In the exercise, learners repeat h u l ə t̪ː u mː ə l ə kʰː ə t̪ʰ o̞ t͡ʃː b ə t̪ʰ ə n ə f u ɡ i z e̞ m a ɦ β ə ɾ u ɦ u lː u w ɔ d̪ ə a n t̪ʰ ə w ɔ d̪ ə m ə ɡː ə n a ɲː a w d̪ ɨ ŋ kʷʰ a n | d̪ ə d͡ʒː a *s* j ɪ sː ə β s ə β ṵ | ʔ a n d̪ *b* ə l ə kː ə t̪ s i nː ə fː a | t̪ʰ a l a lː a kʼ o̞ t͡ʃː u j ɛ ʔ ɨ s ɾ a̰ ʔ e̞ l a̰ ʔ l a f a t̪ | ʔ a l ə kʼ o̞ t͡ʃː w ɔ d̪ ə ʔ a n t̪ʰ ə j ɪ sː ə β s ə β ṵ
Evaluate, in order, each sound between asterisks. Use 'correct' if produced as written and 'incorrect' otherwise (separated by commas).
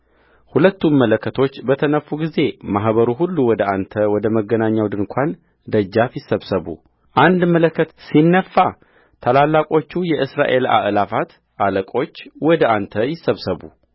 incorrect, incorrect